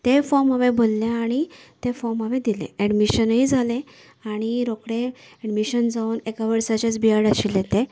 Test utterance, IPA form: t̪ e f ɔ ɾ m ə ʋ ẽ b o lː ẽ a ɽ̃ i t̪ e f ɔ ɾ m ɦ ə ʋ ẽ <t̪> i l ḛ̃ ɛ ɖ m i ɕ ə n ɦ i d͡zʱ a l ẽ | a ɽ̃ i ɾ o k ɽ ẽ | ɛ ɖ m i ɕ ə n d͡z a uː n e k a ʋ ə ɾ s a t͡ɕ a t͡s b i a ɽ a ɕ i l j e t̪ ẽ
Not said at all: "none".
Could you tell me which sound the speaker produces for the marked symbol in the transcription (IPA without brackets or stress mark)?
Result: d̪